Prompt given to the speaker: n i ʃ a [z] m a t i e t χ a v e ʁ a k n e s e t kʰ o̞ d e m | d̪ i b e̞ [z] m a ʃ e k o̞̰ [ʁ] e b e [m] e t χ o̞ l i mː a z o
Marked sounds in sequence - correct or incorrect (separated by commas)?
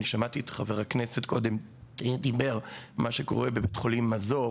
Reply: incorrect, incorrect, correct, incorrect